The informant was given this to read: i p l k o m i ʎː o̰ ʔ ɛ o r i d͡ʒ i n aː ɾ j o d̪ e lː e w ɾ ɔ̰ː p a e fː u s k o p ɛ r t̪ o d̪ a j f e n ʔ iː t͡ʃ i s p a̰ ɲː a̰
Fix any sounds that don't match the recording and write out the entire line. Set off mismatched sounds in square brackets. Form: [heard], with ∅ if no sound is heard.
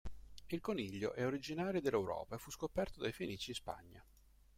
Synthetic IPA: i [∅] l k o [n] i ʎː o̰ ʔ ɛ o [ɾ] i d͡ʒ i n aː ɾ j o d̪ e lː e w ɾ ɔ̰ː p a e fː u s k o p ɛ r t̪ o d̪ a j f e n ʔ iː t͡ʃ i s p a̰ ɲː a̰